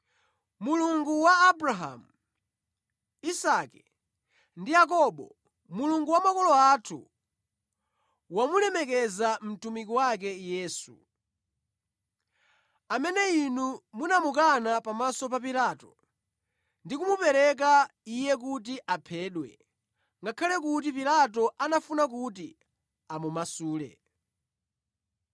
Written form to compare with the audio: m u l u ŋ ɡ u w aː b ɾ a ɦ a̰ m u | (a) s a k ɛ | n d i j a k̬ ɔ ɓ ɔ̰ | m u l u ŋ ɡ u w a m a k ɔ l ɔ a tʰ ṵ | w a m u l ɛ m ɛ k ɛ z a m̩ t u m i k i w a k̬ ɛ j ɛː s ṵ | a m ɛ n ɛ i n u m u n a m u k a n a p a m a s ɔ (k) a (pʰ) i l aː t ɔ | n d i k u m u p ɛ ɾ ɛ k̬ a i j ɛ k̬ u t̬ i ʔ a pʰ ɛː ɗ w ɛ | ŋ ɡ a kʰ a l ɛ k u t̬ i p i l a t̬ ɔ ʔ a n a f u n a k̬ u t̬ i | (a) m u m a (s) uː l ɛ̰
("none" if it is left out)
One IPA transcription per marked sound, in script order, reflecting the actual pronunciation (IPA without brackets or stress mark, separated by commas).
i, p, p, a, s